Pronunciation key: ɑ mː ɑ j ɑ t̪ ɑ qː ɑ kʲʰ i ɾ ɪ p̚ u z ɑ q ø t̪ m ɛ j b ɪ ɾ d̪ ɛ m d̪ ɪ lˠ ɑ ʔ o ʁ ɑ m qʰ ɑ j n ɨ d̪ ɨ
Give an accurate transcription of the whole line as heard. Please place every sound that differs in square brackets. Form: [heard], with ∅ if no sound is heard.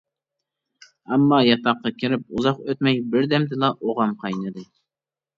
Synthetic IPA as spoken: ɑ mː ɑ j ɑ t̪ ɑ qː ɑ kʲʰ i ɾ ɪ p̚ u z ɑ q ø t̪ m ɛ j b ɪ ɾ d̪ ɛ m d̪ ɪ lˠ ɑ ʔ o ʁ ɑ m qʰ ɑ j n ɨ d̪ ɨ